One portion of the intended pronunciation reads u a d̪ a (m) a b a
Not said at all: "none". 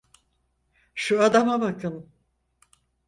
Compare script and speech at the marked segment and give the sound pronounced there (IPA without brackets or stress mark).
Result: m